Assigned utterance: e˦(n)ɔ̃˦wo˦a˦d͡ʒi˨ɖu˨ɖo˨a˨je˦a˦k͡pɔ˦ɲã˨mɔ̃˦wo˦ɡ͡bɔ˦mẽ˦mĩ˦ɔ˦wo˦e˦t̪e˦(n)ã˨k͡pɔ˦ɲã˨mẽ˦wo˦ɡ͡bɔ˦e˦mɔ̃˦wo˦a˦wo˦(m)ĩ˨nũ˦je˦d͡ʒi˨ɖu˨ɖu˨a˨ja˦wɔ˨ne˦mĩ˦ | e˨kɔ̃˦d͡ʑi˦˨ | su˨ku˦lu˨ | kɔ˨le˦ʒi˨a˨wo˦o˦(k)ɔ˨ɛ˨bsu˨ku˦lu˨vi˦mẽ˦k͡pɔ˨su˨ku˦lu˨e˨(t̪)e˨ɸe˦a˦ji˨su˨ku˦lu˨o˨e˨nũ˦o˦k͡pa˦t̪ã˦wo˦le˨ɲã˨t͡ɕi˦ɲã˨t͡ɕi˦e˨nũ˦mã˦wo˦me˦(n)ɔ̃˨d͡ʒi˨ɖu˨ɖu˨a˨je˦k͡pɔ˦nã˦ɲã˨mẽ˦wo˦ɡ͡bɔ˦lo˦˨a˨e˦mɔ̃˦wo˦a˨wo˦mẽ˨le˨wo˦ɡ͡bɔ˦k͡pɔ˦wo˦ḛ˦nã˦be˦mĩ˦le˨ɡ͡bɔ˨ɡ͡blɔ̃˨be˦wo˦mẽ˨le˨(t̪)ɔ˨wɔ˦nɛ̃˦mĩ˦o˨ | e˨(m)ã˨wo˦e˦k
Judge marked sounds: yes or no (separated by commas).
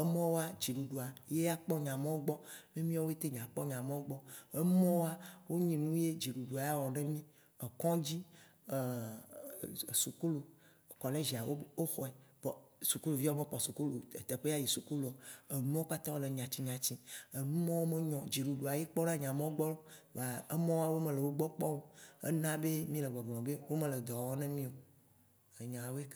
no, no, no, no, yes, no, no, no